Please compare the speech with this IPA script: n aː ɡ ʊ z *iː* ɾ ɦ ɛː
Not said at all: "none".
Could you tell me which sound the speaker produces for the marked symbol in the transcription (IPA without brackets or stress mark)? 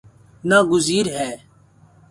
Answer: iː